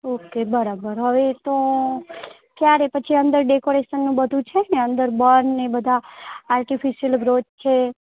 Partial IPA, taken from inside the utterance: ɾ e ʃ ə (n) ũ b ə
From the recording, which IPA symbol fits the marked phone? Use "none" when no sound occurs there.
nː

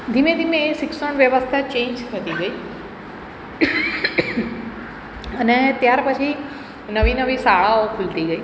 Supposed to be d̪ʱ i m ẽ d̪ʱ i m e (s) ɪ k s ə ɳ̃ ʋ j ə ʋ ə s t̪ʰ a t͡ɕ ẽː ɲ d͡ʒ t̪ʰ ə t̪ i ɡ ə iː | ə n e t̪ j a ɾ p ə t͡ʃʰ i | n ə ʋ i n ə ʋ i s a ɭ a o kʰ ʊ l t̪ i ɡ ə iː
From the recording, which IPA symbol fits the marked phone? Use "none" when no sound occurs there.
s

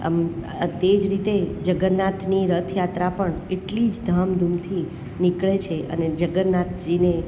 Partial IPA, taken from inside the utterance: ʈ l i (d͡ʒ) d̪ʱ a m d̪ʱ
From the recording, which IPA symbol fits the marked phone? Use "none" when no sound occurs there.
d͡ʒ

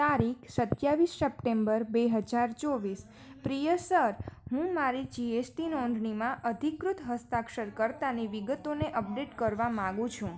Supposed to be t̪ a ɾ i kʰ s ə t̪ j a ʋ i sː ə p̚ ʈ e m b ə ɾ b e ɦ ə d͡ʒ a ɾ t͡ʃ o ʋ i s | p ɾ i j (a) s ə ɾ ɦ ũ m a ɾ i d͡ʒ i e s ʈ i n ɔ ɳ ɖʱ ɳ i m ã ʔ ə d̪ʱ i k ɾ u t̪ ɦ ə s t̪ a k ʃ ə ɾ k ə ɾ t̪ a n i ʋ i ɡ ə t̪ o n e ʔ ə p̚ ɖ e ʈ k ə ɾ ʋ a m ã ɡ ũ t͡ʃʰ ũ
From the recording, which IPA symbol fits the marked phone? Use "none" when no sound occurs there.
ə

